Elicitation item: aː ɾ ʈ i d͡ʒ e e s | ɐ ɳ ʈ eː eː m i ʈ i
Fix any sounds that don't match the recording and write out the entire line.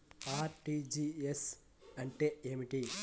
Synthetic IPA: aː ɾ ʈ i d͡ʒ i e s | ɐ ɳ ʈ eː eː m i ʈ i